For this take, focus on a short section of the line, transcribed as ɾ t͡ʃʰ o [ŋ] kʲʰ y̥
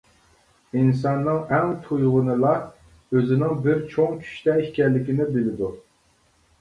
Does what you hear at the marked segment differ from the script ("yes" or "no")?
no